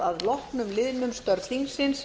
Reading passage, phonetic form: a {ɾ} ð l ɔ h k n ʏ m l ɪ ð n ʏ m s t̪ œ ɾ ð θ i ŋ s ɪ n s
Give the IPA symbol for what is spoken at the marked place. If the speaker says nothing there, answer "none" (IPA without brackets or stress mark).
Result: none